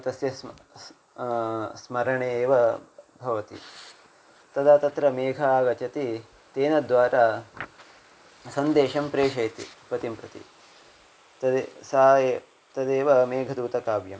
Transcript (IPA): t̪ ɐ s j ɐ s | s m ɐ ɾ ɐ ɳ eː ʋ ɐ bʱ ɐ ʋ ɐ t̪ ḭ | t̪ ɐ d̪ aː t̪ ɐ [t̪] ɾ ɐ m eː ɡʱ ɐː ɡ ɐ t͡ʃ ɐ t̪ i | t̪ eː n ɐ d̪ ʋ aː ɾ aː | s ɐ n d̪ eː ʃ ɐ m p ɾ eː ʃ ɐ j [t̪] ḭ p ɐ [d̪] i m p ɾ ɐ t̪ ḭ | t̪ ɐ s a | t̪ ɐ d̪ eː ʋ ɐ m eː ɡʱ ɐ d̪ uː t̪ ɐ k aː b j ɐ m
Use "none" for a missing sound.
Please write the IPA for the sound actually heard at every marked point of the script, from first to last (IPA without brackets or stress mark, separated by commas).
t̪, t̪, t̪